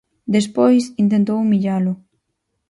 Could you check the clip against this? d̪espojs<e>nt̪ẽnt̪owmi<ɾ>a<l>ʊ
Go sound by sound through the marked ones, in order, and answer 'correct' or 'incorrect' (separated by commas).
incorrect, incorrect, correct